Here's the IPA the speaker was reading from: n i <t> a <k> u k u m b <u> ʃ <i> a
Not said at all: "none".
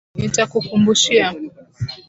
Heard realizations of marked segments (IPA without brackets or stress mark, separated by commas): t, k, u, i